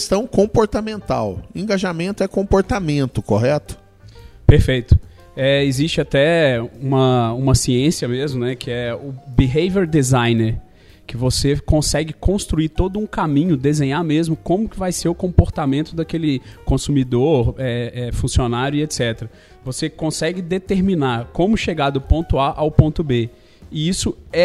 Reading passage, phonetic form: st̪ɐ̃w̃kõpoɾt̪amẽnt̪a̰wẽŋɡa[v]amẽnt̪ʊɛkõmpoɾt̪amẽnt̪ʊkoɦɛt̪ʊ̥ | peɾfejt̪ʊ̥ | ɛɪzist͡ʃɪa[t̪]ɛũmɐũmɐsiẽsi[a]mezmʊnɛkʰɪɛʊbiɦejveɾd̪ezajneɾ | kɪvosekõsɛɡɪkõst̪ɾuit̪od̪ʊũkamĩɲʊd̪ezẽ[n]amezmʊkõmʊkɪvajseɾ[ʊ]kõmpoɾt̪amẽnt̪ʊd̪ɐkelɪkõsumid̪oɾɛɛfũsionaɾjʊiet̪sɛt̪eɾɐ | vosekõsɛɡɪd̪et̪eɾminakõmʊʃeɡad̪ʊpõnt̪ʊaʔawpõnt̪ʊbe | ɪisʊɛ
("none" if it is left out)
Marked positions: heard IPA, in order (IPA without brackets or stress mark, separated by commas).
ʒ, t̪, ɐ, ɲ, ʊ